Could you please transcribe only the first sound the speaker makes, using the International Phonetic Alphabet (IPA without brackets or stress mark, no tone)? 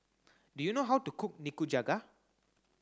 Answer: d